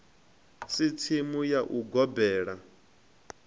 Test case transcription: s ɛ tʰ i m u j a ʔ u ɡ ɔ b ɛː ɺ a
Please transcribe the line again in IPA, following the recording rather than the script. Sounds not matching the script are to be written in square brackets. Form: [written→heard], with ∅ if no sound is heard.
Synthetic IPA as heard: s [ɛ→i] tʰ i m u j a ʔ u ɡ ɔ b ɛː ɺ a

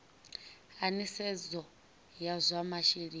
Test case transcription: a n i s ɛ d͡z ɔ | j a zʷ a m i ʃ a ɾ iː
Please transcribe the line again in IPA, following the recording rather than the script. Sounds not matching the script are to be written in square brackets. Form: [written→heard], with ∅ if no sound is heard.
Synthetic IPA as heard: a n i s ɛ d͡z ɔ | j a zʷ a m [i→a] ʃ [a→i] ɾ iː

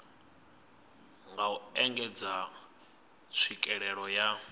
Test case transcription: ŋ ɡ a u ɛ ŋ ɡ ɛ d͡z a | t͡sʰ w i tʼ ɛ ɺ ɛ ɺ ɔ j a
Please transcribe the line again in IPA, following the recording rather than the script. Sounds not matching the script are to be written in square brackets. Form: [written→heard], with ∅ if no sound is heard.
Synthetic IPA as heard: ŋ ɡ a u ɛ ŋ ɡ ɛ d͡z a | t͡sʰ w i [tʼ→kʼ] ɛ ɺ ɛ ɺ ɔ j a

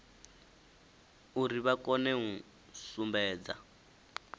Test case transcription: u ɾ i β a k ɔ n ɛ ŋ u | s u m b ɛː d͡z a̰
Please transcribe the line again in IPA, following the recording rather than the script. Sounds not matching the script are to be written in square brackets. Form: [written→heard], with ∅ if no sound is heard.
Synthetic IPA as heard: u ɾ i β a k ɔ n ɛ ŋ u | s u m b ɛː d͡z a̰

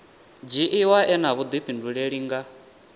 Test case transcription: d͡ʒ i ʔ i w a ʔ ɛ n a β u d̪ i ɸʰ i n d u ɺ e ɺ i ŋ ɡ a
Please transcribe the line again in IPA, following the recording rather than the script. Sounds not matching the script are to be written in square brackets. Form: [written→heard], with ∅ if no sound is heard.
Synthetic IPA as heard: d͡ʒ i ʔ i w a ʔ ɛ n a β u d̪ i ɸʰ i n d u ɺ e ɺ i ŋ ɡ a

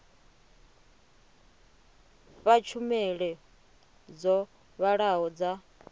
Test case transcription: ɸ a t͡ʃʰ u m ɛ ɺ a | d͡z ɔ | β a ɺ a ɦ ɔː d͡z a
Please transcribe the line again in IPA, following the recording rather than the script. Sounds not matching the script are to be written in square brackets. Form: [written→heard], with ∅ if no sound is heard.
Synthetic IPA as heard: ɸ a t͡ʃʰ u m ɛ ɺ [a→ɛ] | d͡z ɔ | β a ɺ a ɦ [ɔː→ɔ] d͡z a

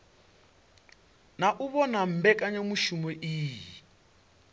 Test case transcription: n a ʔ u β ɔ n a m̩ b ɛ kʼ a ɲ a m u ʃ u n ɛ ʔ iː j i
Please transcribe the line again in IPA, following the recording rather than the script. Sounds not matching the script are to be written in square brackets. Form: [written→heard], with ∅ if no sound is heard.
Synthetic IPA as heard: n a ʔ u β ɔ n a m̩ b ɛ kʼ a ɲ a m u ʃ u [n→m] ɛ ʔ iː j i

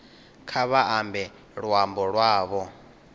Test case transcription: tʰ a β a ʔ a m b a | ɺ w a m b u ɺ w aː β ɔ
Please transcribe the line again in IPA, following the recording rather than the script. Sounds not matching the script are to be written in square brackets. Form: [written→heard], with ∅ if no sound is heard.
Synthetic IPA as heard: [tʰ→kʰ] a β a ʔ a m b [a→ɛ] | ɺ w a m b [u→ɔ] ɺ w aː β ɔ

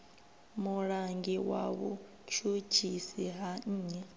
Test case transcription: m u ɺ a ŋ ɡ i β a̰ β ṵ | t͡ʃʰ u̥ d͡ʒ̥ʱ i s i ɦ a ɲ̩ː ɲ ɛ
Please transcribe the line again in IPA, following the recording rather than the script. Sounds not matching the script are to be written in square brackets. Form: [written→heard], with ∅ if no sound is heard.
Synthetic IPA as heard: m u ɺ a ŋ ɡ i [β→w] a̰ β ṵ | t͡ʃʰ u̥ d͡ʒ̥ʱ i s i ɦ a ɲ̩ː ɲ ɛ

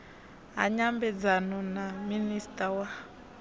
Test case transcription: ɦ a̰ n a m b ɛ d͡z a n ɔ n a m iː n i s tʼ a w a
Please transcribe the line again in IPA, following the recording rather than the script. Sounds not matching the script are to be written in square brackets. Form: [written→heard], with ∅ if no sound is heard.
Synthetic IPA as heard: ɦ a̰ [n→ɲ] a m b ɛ d͡z a n ɔ n a m [iː→i] n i s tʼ a w a

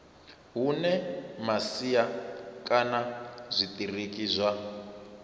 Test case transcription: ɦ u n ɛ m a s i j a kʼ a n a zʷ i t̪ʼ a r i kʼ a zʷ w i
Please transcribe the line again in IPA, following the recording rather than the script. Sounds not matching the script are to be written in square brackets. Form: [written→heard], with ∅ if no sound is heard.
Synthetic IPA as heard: ɦ u n ɛ m a s i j a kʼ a n a zʷ i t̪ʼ [a→i] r i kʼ [a→i] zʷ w [i→a]

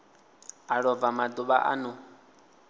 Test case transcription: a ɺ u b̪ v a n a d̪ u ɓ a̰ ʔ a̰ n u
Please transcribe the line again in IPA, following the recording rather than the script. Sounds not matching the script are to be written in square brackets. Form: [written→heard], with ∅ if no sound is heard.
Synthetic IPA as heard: a ɺ [u→ɔ] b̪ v a [n→m] a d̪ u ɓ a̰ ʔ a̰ n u

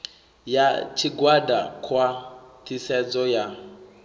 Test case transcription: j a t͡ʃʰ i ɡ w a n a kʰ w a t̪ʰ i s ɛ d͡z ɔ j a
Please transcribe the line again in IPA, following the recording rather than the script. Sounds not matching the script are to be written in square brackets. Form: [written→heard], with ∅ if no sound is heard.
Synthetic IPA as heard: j a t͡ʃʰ i ɡ w a [n→d] a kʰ w a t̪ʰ i s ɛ d͡z ɔ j a

